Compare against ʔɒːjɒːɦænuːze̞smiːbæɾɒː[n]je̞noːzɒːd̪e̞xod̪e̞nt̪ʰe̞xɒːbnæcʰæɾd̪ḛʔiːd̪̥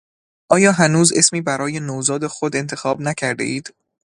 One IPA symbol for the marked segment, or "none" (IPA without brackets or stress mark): none